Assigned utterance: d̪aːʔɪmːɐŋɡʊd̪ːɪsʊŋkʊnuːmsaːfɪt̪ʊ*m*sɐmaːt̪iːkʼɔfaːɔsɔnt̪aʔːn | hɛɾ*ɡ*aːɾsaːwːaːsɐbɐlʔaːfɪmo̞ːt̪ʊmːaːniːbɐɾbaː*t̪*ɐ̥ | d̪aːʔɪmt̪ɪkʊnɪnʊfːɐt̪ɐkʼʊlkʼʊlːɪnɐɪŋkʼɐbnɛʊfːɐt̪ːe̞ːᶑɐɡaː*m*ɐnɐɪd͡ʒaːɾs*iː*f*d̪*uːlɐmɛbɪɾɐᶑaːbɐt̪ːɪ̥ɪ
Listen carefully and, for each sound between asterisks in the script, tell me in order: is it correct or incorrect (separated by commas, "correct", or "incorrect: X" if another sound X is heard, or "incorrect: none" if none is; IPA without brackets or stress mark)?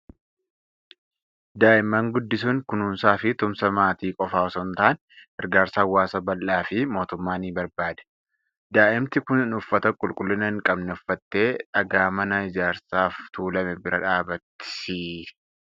correct, correct, incorrect: d̪, correct, incorrect: aː, incorrect: t̪